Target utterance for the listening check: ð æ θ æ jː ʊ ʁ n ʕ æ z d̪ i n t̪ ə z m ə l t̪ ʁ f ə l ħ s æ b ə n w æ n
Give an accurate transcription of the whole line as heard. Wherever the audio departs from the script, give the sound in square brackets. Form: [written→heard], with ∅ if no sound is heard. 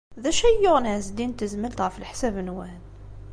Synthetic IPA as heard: ð æ [θ→ʃ] æ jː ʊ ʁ n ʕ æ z d̪ i n t̪ ə z m ə l t̪ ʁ f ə l ħ s æ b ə n w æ n